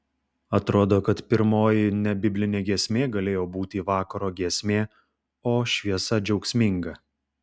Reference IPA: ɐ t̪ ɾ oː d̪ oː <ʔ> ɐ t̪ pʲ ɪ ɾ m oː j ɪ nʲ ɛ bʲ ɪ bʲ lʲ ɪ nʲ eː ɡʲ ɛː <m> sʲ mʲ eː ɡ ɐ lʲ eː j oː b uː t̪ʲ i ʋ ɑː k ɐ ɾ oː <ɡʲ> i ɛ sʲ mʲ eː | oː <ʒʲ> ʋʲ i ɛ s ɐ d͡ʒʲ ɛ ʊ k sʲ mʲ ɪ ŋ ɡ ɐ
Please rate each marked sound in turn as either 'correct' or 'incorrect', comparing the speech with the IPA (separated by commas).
incorrect, incorrect, correct, incorrect